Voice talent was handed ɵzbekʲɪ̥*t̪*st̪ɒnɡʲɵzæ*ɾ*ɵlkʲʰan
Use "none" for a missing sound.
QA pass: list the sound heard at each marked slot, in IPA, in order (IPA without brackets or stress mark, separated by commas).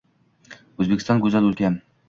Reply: none, l